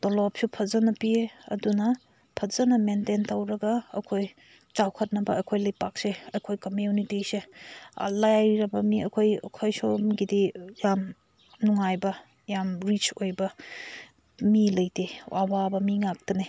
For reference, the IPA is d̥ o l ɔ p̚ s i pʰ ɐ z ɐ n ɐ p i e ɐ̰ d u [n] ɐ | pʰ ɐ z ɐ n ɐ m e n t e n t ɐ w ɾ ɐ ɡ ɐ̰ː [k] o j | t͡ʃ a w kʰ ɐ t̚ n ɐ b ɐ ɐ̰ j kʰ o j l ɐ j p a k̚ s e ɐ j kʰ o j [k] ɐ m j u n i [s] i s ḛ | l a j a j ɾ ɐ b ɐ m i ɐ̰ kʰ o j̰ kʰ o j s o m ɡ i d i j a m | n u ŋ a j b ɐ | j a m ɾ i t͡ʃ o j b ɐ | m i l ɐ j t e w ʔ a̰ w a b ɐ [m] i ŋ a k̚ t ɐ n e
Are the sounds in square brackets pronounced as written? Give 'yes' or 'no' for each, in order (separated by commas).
yes, no, yes, no, yes